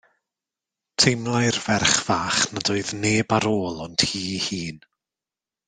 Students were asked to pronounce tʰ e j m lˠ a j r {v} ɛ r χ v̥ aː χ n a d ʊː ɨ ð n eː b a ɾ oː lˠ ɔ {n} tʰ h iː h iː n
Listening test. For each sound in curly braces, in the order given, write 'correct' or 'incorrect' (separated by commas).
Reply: correct, correct